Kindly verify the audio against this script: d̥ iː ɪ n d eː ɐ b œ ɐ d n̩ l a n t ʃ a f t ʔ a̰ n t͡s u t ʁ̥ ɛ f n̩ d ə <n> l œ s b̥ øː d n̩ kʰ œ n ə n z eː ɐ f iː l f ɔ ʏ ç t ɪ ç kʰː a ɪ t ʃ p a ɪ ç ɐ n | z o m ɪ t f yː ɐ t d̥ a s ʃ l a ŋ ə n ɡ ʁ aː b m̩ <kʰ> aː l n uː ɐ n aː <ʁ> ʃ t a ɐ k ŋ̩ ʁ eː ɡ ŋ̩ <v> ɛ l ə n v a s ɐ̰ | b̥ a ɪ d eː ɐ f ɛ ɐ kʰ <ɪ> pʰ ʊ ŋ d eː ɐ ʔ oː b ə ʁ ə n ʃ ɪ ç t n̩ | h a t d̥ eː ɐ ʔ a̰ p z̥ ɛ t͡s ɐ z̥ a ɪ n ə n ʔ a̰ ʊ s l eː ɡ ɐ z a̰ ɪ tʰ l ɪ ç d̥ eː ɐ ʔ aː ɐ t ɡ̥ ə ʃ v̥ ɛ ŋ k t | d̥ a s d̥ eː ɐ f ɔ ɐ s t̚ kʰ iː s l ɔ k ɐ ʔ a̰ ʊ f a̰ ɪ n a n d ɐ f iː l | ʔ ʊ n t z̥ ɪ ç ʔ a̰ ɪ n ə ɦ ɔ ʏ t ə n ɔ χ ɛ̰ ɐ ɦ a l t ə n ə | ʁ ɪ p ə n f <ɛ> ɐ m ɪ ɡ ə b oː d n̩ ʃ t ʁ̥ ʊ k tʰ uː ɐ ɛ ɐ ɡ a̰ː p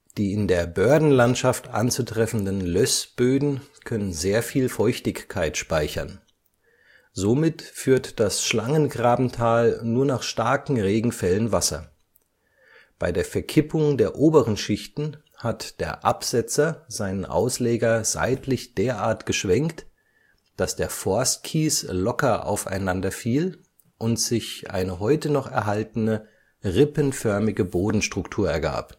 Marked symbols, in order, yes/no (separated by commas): yes, no, no, no, yes, no